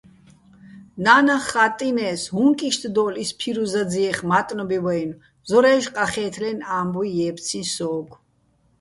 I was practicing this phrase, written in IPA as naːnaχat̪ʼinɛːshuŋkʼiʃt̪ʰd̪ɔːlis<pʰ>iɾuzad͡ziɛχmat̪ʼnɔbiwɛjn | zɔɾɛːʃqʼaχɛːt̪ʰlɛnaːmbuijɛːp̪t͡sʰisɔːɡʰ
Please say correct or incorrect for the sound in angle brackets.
correct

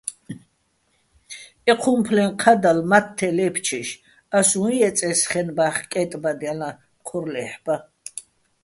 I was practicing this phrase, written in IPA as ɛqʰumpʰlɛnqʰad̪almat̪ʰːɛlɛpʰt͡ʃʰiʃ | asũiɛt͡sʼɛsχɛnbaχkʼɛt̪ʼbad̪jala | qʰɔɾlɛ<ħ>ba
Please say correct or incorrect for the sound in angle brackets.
correct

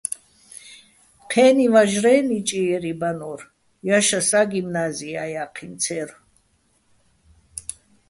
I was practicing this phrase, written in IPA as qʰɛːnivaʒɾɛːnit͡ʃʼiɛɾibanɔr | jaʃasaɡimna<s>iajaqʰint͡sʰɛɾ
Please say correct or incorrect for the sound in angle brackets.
incorrect: z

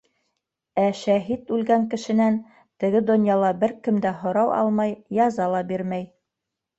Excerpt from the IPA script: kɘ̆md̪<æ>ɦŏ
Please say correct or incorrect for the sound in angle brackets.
correct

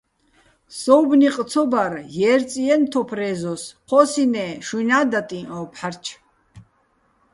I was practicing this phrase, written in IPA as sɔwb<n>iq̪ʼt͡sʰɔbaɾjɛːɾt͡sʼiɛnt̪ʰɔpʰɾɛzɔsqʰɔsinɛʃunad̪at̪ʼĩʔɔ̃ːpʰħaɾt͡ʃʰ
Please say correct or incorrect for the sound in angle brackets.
correct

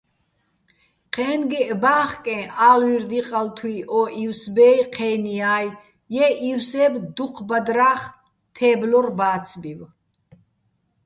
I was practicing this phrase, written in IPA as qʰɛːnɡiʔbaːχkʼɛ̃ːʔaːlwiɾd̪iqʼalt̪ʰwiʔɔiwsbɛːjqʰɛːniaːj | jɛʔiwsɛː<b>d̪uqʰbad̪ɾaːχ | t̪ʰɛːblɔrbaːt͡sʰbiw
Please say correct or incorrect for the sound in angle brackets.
correct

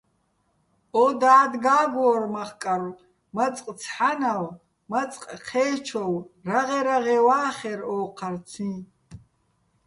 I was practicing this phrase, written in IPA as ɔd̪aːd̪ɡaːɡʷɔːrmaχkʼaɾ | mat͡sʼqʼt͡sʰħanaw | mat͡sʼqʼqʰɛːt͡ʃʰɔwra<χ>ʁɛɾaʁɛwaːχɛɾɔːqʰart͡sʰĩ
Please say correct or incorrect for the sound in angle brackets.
incorrect: none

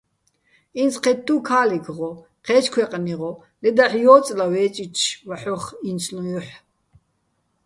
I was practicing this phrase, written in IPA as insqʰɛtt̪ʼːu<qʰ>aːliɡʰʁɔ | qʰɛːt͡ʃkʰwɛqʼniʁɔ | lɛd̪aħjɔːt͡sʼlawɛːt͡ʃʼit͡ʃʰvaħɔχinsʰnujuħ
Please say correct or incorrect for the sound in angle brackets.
incorrect: kʰ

